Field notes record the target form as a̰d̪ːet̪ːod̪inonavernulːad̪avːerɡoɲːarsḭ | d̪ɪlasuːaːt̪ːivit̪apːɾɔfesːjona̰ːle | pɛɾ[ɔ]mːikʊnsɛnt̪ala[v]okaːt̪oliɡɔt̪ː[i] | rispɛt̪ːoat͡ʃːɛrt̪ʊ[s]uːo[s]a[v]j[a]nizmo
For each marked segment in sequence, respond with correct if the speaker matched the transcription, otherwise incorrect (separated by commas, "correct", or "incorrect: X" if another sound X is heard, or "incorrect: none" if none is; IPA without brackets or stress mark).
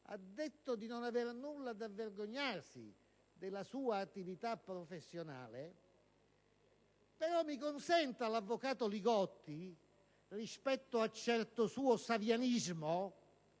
correct, incorrect: vː, correct, correct, correct, correct, correct